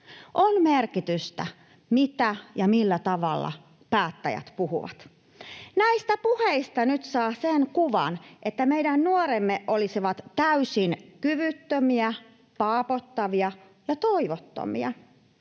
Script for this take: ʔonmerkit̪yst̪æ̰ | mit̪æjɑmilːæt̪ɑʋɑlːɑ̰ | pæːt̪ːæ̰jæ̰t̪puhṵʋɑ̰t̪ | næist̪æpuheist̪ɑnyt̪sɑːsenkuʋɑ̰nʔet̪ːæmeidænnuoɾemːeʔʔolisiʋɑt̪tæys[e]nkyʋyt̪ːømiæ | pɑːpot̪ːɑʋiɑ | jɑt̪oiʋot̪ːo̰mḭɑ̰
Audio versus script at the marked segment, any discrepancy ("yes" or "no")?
yes